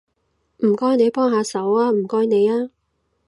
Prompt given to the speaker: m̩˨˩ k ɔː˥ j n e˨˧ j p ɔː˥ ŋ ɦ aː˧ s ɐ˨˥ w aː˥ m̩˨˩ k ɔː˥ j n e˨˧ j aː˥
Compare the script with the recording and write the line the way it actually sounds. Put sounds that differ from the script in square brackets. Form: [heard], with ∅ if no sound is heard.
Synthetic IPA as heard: m̩˨˩ k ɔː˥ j n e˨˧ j p ɔː˥ ŋ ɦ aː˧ s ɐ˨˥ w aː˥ m̩˨˩ k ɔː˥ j n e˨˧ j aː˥